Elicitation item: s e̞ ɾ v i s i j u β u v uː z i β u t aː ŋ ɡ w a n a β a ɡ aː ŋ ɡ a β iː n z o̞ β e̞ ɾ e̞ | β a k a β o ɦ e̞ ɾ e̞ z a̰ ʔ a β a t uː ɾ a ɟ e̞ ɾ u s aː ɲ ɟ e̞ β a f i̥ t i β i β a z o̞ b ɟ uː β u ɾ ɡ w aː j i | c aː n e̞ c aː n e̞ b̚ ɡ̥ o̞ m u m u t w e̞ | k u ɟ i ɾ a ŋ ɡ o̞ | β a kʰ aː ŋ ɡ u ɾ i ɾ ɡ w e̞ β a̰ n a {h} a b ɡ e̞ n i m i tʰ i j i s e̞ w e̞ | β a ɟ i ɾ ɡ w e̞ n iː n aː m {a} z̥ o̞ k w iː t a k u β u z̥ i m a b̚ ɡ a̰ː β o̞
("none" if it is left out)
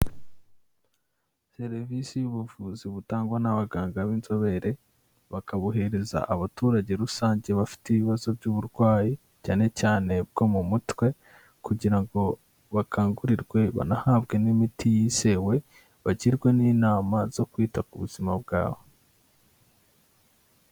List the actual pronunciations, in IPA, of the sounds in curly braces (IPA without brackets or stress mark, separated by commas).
h, a